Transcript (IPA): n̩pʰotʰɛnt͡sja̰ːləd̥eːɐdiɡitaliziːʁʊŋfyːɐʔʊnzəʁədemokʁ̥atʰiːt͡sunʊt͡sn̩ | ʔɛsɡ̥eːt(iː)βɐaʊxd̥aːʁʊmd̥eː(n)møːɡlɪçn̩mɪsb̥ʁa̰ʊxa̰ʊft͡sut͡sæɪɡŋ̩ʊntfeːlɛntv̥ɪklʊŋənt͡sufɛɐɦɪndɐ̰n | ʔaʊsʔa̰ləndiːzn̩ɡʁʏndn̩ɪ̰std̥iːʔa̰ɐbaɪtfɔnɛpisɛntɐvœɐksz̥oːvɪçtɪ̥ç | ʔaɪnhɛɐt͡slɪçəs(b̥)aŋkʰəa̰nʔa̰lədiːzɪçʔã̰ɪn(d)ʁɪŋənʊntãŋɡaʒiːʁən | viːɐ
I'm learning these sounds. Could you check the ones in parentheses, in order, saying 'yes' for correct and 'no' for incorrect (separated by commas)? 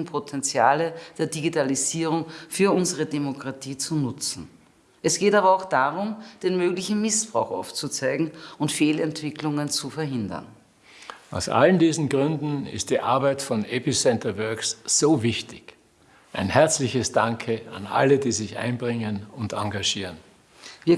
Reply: no, yes, no, no